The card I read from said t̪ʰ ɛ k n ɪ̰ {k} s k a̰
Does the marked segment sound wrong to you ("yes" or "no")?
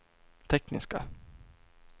yes